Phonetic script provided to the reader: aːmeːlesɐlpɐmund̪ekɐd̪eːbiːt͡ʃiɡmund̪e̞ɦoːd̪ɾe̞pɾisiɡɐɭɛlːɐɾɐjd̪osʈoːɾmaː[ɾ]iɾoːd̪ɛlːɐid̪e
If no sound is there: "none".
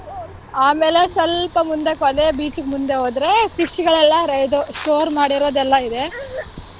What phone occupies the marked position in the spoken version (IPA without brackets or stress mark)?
ɽ